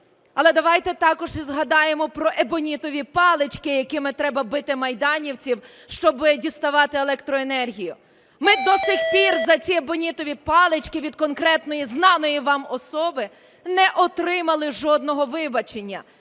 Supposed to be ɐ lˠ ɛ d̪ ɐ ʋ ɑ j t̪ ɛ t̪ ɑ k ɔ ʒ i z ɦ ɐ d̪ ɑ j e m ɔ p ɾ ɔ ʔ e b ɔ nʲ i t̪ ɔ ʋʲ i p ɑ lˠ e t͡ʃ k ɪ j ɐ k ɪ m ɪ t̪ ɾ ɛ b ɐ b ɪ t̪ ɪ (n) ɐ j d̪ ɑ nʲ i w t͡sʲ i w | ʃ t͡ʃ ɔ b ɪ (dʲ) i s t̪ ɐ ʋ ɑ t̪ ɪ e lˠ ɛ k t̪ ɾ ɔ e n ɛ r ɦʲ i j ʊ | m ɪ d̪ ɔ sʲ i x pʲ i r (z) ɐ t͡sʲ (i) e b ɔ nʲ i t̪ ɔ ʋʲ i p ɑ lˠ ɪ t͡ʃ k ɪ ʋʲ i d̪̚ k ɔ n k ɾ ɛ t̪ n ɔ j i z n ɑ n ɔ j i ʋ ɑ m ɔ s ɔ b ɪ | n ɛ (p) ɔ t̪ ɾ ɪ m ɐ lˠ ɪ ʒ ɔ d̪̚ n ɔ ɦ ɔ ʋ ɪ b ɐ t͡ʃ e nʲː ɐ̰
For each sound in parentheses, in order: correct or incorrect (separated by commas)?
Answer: incorrect, correct, correct, correct, incorrect